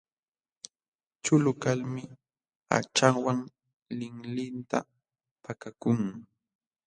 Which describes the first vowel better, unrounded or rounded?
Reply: rounded